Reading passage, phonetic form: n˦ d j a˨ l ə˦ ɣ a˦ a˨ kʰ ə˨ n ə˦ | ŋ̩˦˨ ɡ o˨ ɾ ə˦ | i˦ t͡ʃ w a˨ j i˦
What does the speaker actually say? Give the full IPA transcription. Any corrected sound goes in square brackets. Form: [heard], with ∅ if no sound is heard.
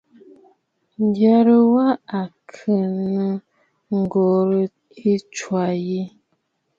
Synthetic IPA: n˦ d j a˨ [ɾ] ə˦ [w] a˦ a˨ kʰ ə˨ n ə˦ | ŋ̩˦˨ ɡ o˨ ɾ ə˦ | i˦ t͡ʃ w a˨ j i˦